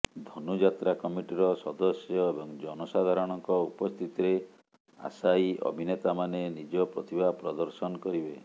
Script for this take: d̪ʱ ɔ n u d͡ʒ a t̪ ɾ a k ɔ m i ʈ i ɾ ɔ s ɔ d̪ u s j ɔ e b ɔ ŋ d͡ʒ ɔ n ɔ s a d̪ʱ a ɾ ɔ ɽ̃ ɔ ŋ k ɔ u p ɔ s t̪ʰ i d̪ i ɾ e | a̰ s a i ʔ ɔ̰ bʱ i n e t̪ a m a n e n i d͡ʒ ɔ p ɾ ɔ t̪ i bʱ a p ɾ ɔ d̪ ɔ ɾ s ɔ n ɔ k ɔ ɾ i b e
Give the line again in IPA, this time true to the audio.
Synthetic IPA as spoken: d̪ʱ ɔ n u d͡ʒ a t̪ ɾ a k ɔ m i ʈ i ɾ ɔ s ɔ d̪ ɔ s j ɔ e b ɔ ŋ d͡ʒ ɔ n ɔ s a d̪ʱ a ɾ ɔ ɽ̃ ɔ ŋ k ɔ u p ɔ s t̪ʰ i t̪ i ɾ e | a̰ s a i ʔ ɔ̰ bʱ i n e t̪ a m a n e n i d͡ʒ ɔ p ɾ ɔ t̪ i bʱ a p ɾ ɔ d̪ ɔ ɾ s ɔ n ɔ k ɔ ɾ i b e